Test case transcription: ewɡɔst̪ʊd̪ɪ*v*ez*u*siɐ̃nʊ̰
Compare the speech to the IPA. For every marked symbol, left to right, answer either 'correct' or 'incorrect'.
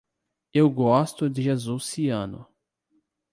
incorrect: ʒ, correct

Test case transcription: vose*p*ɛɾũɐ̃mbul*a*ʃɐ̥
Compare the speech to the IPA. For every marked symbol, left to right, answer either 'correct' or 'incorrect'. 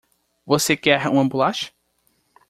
incorrect: k, correct

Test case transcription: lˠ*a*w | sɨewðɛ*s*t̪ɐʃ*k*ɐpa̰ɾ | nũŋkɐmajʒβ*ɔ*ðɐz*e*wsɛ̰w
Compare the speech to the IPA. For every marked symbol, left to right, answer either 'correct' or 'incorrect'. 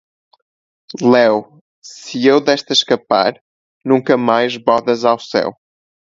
incorrect: ɛ, incorrect: ʃ, correct, correct, incorrect: a

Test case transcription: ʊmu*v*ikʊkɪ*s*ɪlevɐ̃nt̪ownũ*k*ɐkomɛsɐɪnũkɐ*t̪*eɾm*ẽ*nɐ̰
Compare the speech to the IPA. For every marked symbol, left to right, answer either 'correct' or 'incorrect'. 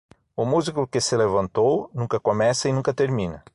incorrect: z, correct, correct, correct, incorrect: ĩ

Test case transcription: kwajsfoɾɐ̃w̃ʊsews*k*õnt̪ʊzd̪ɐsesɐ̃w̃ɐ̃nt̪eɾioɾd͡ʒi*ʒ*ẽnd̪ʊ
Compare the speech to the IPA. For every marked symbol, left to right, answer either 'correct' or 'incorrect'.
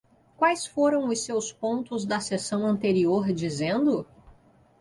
incorrect: p, incorrect: z

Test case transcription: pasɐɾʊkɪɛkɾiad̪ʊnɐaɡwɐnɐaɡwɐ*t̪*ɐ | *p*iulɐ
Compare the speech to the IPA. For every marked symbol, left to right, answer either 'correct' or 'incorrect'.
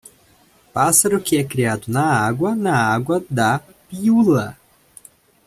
incorrect: d̪, correct

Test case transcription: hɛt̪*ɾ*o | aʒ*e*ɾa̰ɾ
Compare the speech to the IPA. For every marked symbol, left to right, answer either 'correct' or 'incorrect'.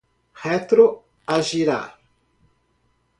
correct, incorrect: i

